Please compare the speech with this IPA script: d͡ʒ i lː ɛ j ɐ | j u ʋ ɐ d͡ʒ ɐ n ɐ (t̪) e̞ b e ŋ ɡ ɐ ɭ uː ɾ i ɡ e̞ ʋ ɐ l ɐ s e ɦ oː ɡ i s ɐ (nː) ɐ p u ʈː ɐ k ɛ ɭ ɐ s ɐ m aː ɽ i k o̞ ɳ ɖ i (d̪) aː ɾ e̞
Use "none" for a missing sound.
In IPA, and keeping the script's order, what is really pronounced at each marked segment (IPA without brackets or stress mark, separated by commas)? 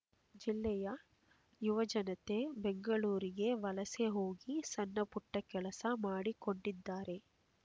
t̪, nː, d̪ː